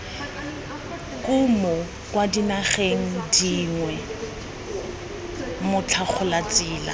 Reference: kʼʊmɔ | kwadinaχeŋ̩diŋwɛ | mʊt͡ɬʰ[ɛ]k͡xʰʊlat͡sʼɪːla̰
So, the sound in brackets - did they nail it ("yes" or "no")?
no